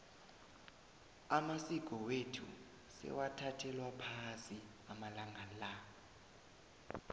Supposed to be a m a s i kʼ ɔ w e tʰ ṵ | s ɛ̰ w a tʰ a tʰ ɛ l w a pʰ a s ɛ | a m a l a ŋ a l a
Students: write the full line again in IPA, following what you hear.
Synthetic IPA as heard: a m a s i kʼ ɔ w e tʰ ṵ | s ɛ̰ w a tʰ a tʰ ɛ l w a pʰ a s i | a m a l a ŋ a l a

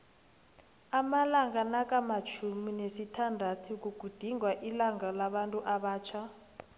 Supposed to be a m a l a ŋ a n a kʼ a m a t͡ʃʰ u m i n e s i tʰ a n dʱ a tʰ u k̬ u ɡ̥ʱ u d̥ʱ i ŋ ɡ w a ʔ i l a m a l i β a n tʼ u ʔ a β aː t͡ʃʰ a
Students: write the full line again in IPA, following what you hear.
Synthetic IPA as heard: a m a l a ŋ a n a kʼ a m a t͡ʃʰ u m i n e s i tʰ a n dʱ a tʰ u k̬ u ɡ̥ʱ u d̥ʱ i ŋ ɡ w a ʔ i l a ŋ a l a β a n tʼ u ʔ a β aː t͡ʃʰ a

